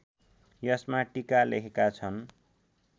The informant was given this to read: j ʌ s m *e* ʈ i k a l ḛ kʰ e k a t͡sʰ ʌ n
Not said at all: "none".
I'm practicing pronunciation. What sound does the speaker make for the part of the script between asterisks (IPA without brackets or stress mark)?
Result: a